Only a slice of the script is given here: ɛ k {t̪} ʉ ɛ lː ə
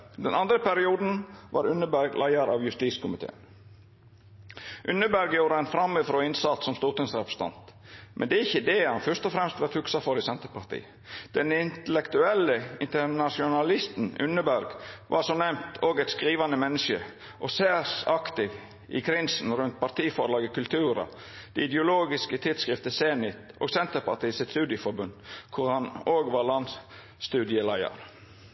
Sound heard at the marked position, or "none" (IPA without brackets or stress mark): t̪